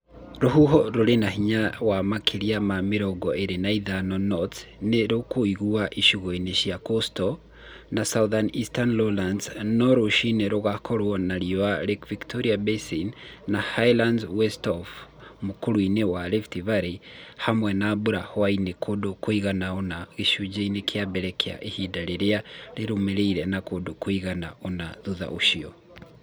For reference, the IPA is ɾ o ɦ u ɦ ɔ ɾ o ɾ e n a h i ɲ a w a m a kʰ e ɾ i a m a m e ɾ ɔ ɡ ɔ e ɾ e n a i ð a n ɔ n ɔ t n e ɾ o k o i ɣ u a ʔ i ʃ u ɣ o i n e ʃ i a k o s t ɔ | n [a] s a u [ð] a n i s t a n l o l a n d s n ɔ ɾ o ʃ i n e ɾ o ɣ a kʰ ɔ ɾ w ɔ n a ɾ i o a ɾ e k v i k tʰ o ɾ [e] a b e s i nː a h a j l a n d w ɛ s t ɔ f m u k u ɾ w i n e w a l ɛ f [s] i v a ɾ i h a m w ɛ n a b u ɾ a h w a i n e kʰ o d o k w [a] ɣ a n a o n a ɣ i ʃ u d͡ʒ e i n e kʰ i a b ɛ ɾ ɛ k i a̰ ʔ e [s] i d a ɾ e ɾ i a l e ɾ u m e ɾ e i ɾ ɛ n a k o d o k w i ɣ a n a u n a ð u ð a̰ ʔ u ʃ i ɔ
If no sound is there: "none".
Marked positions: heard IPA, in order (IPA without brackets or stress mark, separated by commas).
a, ð, i, t, i, h